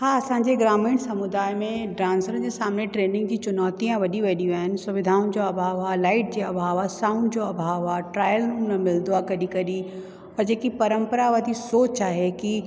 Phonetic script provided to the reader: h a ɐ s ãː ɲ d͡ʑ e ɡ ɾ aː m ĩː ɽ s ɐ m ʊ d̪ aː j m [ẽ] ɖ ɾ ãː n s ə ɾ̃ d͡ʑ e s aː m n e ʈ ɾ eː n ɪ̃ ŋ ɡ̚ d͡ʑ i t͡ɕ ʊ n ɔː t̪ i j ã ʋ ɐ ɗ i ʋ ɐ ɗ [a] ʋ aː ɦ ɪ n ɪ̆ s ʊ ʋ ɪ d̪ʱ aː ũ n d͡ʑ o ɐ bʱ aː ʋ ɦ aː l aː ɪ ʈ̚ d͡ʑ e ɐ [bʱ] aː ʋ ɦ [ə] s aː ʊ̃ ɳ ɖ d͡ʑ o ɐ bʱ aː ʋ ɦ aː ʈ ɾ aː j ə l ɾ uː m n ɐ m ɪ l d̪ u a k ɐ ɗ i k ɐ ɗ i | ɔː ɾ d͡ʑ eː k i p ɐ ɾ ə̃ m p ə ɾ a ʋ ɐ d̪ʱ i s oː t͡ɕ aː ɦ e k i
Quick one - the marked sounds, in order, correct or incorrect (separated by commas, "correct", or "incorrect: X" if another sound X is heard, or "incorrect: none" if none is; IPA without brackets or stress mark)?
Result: correct, incorrect: i, correct, incorrect: a